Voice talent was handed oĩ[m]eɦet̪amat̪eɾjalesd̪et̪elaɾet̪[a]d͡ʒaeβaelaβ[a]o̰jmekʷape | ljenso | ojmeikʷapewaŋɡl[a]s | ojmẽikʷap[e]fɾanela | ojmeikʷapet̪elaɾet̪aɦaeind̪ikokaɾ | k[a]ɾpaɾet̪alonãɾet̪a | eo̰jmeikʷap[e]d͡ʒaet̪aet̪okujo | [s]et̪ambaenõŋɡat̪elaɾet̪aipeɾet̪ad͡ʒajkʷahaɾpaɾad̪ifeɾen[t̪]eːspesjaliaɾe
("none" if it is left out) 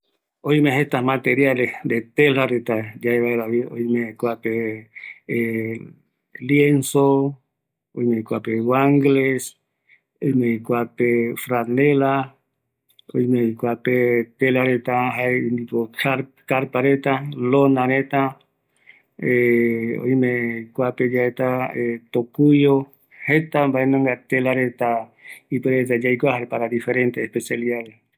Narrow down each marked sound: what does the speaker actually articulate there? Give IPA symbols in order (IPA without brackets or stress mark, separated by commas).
m, a, i, e, e, a, e, h, t̪